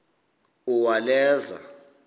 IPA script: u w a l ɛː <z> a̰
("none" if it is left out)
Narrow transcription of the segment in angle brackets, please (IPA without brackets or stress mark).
z